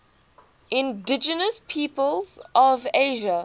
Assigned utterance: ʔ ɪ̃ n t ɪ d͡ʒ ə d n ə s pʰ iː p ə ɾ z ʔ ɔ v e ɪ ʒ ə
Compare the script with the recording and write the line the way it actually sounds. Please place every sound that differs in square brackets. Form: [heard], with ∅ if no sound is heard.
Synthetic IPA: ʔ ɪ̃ n [d] ɪ d͡ʒ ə [∅] n ə s pʰ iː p ə [l] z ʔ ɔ v e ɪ ʒ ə